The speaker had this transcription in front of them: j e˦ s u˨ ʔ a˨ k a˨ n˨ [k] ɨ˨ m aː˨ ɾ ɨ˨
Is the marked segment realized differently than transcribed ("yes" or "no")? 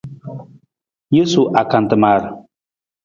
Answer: yes